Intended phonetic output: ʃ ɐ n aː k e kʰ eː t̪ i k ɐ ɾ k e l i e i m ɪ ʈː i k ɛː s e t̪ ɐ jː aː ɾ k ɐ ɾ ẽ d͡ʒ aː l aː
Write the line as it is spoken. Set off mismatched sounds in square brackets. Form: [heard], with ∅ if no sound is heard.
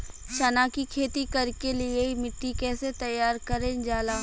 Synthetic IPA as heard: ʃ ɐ n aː k [i] kʰ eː t̪ i k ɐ ɾ k e l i e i m ɪ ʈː i k ɛː s e t̪ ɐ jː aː ɾ k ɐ ɾ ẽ d͡ʒ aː l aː